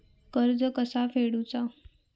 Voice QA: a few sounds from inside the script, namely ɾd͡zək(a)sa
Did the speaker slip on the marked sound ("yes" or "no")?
yes